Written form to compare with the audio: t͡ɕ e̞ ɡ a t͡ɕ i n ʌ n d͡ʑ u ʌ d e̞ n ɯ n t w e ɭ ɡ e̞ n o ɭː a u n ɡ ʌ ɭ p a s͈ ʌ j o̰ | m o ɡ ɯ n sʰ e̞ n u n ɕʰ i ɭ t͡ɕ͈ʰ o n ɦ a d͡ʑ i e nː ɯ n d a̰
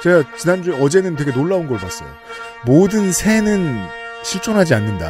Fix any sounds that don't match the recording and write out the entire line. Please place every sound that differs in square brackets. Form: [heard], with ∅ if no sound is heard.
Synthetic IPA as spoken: t͡ɕ e̞ ɡ a t͡ɕ i n [a] n d͡ʑ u ʌ [d͡ʑ] e̞ n ɯ n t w e [∅] ɡ e̞ n o ɭː a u n ɡ ʌ ɭ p a s͈ ʌ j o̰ | m o [d] ɯ n sʰ e̞ n [ɯ] n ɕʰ i ɭ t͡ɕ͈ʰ o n ɦ a d͡ʑ i [a] nː ɯ n d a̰